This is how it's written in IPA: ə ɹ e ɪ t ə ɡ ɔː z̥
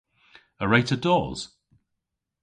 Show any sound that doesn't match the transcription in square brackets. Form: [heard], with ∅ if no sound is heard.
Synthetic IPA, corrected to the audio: ə ɹ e ɪ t ə [d] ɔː z̥